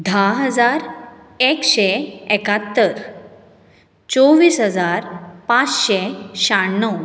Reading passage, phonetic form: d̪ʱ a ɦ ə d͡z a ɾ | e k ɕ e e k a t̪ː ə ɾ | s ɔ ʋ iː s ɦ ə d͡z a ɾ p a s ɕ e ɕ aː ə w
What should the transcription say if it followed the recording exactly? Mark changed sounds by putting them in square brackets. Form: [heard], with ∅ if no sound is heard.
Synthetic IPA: d̪ʱ a ɦ ə d͡z a ɾ | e k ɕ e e k a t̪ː ə ɾ | [t͡s] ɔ ʋ iː s ɦ ə d͡z a ɾ p a [t͡s] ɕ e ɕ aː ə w